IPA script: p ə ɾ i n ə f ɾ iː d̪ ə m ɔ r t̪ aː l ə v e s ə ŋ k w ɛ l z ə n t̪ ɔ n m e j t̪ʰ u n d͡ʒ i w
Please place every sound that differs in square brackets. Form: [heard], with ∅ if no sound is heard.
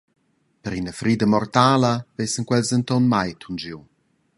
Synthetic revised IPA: p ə ɾ i n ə f ɾ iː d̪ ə m ɔ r t̪ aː l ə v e s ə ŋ k w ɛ l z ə n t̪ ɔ n m [a] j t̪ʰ u n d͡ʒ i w

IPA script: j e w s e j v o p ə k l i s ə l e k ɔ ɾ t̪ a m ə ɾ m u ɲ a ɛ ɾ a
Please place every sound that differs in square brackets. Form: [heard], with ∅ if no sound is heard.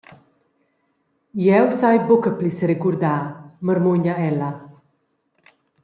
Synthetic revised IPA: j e w s [a] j [b] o [k] ə [p] l i s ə [ɾ] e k [u] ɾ [d̪] a m ə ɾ m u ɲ a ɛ [l] a

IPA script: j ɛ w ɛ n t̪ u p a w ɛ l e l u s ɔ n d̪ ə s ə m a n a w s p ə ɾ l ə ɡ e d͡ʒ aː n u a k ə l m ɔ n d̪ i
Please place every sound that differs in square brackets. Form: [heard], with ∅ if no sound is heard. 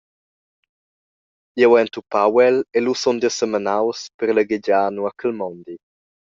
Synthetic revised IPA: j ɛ w ɛ n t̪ u p a w ɛ l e l u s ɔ n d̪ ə s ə m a n a w s p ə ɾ l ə ɡ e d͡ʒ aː n u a k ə l m ɔ n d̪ i

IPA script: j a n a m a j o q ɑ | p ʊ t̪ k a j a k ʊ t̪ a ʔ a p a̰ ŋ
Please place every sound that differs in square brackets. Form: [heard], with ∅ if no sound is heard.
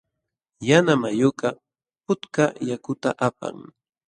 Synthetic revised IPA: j a n a m a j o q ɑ | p ʊ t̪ k a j a k ʊ t̪ a ʔ a p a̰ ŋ

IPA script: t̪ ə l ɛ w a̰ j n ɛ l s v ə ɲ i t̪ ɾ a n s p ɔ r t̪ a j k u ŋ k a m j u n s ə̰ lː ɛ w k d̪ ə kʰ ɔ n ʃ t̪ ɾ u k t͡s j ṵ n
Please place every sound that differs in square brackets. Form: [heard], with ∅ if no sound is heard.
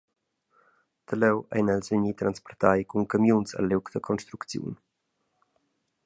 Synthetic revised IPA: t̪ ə l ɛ w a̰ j n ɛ l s v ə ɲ i t̪ ɾ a n s p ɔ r t̪ a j k u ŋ k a m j u n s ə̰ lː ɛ w k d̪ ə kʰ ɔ n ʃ t̪ ɾ u k t͡s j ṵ n

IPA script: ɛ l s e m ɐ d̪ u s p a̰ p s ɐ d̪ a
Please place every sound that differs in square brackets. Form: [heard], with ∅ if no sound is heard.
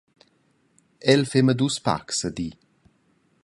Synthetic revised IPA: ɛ l [f] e m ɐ d̪ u s p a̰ [k] s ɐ d̪ [i]

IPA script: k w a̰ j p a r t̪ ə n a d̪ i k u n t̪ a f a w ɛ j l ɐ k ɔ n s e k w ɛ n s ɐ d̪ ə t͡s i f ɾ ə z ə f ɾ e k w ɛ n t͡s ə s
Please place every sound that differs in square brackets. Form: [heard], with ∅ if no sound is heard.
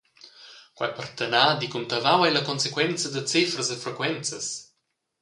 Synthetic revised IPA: k w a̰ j p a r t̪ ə n a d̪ i k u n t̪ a [v] a w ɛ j l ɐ k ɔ n s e k w ɛ n [t͡s] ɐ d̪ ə t͡s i f ɾ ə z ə f ɾ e k w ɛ n t͡s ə s

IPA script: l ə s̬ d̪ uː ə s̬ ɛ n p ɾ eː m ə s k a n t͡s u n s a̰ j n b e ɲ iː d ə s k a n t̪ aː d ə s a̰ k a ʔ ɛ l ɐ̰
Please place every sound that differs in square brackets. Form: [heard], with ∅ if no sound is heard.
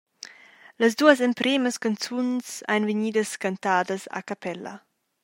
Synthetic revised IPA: l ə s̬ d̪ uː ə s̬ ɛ [m] p ɾ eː m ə s k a n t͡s u n s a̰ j n [v] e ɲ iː d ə s k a n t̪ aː d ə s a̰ k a [p] ɛ l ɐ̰

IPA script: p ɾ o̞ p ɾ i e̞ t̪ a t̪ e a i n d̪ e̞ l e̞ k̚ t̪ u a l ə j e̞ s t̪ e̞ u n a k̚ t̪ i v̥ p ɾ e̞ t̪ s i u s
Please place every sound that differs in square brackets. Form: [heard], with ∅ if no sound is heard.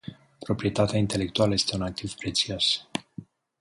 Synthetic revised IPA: p ɾ o̞ p ɾ i e̞ t̪ a t̪ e a i n [t̪] e̞ l e̞ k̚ t̪ u a l ə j e̞ s t̪ e̞ u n a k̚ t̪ i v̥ p ɾ e̞ t̪ s i [o] s

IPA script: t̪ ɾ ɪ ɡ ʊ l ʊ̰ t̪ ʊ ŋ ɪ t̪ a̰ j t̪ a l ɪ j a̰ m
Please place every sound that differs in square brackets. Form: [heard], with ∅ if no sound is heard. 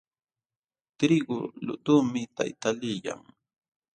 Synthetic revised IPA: t̪ ɾ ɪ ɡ ʊ l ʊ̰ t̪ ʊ [m] ɪ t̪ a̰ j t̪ a l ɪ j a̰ [ŋ]

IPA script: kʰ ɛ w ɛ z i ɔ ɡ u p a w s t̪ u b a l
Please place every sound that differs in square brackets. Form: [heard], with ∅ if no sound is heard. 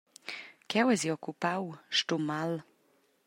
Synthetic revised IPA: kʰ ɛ w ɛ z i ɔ [k] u p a w [ʃ] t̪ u [m] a l

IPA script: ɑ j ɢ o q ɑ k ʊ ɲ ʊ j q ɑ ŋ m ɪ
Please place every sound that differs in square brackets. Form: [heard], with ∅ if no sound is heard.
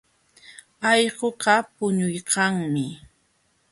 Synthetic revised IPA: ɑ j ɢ o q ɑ [p] ʊ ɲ ʊ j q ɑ ŋ m ɪ

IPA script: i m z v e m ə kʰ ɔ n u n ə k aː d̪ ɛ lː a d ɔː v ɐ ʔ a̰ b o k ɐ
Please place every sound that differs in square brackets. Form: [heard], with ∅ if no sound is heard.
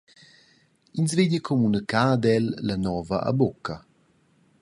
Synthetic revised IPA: i [n] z v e [ɲ] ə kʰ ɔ [m] u n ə k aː d̪ ɛ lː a [n] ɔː v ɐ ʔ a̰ b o k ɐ

